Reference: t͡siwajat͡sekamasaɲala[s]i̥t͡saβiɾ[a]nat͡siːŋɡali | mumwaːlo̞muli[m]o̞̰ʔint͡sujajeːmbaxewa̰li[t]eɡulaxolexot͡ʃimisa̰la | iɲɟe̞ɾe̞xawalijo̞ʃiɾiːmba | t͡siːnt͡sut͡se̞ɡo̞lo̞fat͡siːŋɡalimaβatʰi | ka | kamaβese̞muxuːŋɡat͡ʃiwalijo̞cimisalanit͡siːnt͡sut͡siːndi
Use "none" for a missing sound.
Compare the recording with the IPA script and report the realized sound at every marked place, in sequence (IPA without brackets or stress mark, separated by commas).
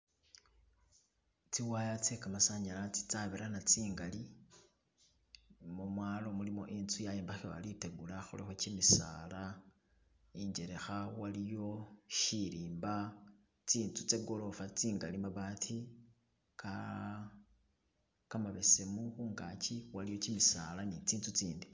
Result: t͡s, a, m, t